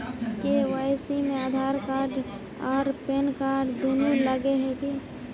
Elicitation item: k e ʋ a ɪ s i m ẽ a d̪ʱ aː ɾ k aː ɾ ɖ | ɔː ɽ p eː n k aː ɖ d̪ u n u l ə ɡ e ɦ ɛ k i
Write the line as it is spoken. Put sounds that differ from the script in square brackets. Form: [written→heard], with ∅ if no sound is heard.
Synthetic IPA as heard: k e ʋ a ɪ s i m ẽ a d̪ʱ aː ɾ k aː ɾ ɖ | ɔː [ɽ→ɾ] p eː n k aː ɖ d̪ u n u l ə ɡ e ɦ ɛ k i